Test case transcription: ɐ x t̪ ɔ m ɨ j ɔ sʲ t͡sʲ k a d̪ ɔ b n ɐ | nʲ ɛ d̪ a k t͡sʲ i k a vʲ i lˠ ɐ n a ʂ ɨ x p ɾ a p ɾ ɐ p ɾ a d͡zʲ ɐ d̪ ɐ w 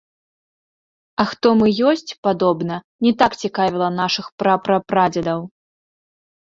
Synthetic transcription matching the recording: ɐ x t̪ ɔ m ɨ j ɔ sʲ t͡sʲ p a d̪ ɔ b n ɐ | nʲ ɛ t̪ a k t͡sʲ i k a vʲ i lˠ ɐ n a ʂ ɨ x p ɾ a p ɾ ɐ p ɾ a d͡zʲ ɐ d̪ ɐ w

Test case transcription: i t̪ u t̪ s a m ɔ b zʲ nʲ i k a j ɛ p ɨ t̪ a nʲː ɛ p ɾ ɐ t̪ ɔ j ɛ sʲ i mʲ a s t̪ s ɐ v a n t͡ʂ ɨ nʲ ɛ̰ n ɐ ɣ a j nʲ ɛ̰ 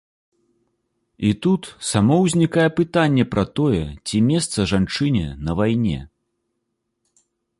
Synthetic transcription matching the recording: i t̪ u t̪ s a m ɔ w zʲ nʲ i k a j ɛ p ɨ t̪ a nʲː ɛ p ɾ ɐ t̪ ɔ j ɛ t͡sʲ i mʲ ɛ s t̪ s ɐ ʐ a n t͡ʂ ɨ nʲ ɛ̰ n ɐ v a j nʲ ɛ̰

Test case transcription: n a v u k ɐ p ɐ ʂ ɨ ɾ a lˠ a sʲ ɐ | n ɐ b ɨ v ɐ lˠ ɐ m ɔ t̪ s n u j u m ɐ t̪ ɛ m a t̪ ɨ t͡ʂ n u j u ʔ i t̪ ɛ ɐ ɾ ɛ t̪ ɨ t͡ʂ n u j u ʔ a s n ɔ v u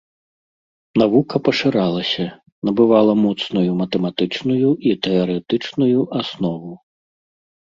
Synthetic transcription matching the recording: n a v u k ɐ p ɐ ʂ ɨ ɾ a lˠ ɐ sʲ ɐ | n ɐ b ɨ v a lˠ ɐ m ɔ t̪ s n u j u m ɐ t̪ ɛ m a t̪ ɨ t͡ʂ n u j u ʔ i t̪ ɛ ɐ ɾ ɛ t̪ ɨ t͡ʂ n u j u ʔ a s n ɔ v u

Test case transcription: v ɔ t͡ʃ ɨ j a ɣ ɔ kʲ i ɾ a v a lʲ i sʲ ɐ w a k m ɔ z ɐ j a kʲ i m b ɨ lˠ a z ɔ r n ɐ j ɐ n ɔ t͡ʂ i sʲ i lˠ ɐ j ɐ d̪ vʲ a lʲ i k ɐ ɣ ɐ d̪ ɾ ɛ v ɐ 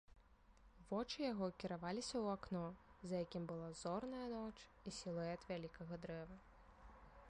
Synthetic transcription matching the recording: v ɔ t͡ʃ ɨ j a ɣ ɔ kʲ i ɾ a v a lʲ i sʲ ɐ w a k n ɔ z ɐ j a kʲ i m b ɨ lˠ a z ɔ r n ɐ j ɐ n ɔ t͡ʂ i sʲ i lˠ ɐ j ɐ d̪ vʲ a lʲ i k ɐ ɣ ɐ d̪ ɾ ɛ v ɐ

